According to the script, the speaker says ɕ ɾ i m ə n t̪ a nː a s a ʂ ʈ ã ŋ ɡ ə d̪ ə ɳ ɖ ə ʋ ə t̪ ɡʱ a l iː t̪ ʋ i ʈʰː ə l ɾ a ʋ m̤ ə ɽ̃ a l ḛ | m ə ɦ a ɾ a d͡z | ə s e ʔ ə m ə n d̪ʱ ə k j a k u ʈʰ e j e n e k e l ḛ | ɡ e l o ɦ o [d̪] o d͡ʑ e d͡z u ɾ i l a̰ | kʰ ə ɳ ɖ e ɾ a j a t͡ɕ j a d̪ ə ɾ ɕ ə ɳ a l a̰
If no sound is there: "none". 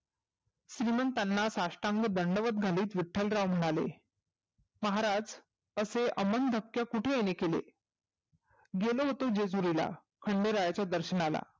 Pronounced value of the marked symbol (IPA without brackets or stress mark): t̪